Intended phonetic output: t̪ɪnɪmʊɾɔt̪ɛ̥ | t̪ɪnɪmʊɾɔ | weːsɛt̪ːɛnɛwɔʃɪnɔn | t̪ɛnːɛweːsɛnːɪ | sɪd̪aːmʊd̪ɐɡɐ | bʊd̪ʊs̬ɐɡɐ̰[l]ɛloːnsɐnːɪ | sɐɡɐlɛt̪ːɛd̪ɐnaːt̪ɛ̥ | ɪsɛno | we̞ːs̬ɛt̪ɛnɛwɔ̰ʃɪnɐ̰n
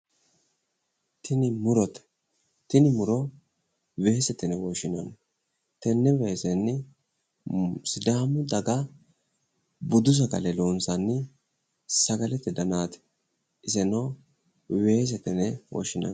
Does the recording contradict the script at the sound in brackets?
no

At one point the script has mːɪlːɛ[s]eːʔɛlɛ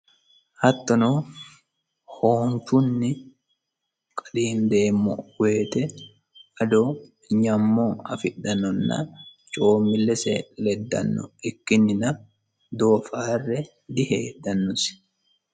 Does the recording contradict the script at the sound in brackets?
no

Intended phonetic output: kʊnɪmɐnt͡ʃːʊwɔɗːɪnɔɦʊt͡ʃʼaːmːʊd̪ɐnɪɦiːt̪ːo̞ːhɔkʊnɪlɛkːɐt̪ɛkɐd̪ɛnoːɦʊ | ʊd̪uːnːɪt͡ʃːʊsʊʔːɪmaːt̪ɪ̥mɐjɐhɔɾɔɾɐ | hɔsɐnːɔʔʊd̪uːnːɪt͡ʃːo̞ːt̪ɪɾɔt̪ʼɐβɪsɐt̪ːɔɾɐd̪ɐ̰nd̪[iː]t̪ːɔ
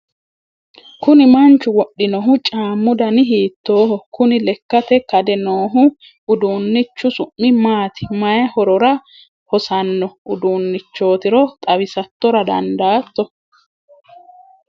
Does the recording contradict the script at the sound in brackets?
yes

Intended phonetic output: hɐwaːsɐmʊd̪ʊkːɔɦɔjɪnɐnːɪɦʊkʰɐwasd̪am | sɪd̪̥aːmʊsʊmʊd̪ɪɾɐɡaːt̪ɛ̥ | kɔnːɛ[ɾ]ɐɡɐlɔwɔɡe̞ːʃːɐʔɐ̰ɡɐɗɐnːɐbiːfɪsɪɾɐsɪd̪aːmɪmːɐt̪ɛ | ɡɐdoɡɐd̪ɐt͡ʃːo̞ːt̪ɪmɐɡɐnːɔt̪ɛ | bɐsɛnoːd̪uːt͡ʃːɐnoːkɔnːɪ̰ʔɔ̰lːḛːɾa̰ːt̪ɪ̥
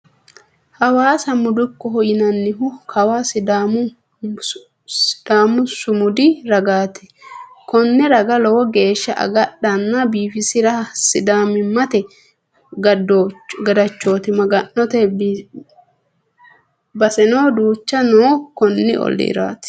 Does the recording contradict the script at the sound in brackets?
no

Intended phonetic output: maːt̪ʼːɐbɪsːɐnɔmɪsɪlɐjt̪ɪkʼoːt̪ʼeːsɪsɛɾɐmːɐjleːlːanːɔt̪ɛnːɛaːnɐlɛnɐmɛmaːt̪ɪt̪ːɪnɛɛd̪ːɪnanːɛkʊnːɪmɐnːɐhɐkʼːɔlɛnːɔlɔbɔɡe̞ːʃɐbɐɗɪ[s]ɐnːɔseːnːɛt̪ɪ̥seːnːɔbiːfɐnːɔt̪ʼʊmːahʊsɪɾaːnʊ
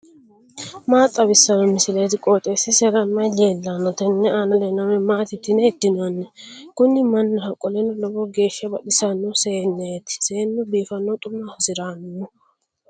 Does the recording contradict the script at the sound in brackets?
no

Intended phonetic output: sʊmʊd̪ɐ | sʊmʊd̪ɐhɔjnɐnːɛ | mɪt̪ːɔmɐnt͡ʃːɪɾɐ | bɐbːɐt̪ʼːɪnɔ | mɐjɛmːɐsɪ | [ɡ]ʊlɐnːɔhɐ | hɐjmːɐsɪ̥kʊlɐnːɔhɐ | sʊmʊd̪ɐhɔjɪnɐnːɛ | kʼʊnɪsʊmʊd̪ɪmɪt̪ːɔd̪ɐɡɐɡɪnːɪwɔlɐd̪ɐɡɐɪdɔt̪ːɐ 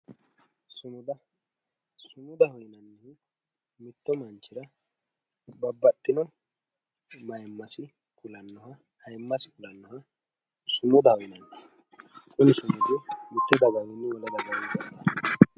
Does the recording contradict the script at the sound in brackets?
yes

